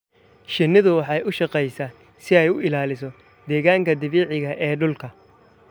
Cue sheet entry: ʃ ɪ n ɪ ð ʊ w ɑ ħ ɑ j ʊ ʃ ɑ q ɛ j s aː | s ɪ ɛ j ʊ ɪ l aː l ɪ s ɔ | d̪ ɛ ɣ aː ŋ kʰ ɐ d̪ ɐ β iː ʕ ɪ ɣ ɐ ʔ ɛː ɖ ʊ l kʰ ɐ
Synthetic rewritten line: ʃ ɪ n ɪ ð ʊ w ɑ ħ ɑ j ʊ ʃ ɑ q ɛ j s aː | s ɪ ɛ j ʊ ɪ l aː l ɪ s ɔ | d̪ ɛː ɣ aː ŋ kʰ ɐ d̪ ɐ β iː ʕ ɪ ɣ ɐ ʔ ɛː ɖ ʊ l kʰ ɐ